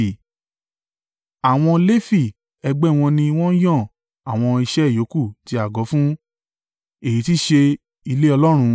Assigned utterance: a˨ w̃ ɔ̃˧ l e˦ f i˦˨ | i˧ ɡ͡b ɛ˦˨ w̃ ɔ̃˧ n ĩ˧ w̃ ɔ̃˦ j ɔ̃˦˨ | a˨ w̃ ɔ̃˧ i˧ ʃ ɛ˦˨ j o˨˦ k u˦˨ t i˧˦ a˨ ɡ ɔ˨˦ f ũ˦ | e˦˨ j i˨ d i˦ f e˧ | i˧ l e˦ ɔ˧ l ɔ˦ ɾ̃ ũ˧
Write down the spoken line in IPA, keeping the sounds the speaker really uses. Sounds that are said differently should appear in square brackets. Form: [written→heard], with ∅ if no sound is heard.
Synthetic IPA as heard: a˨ w̃ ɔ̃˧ l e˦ f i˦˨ | [i˧→ɛ˧] ɡ͡b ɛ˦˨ w̃ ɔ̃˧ n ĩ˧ w̃ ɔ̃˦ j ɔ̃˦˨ | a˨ w̃ ɔ̃˧ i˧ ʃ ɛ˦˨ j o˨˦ k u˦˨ t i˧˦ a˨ ɡ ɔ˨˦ f ũ˦ | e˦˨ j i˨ [d→t] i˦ [f→ʃ] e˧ | i˧ l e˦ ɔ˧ l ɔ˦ ɾ̃ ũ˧